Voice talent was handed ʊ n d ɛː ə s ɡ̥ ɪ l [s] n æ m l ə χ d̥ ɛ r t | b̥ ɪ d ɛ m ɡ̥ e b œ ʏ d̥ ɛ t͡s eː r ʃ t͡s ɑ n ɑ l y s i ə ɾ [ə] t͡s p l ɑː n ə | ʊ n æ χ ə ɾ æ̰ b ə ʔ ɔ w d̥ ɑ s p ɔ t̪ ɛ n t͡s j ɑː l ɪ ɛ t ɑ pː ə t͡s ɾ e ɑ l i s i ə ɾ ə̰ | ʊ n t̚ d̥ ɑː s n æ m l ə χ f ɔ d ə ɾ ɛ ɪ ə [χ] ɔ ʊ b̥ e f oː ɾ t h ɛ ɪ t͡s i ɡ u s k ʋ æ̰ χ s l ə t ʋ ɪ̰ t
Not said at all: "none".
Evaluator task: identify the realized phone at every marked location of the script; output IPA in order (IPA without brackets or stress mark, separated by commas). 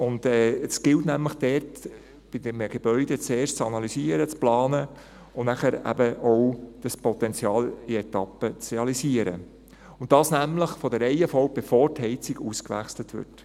t, ə, f